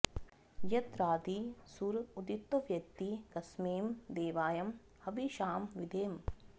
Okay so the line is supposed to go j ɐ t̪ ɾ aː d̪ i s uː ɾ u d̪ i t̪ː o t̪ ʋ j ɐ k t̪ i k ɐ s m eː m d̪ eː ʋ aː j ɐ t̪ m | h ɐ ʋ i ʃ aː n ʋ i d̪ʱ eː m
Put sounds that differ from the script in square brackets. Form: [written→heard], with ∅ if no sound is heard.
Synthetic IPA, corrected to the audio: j ɐ t̪ ɾ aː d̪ i s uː ɾ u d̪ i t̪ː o [t̪→∅] ʋ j ɐ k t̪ i k ɐ s m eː m d̪ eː ʋ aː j ɐ [t̪→∅] m | h ɐ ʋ i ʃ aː [n→m] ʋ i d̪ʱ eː m